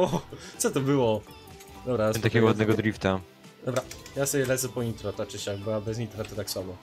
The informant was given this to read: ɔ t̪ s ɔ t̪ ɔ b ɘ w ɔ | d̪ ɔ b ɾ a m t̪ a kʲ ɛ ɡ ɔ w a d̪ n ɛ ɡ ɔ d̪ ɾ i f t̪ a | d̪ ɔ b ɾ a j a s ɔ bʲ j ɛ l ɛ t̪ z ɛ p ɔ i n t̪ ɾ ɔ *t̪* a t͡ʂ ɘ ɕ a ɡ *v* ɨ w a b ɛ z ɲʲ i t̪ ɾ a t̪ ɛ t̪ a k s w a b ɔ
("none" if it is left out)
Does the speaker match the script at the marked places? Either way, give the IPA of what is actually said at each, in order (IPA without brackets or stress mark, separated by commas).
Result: t̪, b